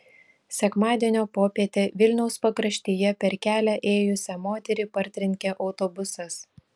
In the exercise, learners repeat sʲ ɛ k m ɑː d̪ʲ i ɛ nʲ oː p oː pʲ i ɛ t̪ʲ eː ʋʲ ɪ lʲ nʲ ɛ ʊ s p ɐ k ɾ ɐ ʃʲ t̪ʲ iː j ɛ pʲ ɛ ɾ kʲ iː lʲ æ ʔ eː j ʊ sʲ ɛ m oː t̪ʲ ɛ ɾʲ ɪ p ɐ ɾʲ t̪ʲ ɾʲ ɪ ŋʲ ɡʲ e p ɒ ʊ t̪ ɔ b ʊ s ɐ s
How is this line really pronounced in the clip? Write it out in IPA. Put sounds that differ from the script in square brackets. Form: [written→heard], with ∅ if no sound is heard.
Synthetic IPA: sʲ ɛ k m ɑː d̪ʲ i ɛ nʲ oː p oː pʲ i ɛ t̪ʲ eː ʋʲ ɪ lʲ nʲ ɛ ʊ s p ɐ k ɾ ɐ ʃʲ t̪ʲ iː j ɛ pʲ ɛ ɾ kʲ [iː→æː] lʲ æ ʔ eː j ʊ sʲ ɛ m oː t̪ʲ ɛ ɾʲ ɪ p ɐ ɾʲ t̪ʲ ɾʲ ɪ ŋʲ [ɡʲ→kʲ] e [p→ʔ] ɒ ʊ t̪ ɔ b ʊ s ɐ s